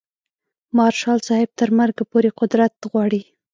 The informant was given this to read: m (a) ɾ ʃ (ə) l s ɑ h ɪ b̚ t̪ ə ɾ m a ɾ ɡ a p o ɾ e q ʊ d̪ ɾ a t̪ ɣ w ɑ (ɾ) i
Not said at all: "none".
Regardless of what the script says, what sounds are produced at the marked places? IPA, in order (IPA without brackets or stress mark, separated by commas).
ɑ, ɑ, ɽ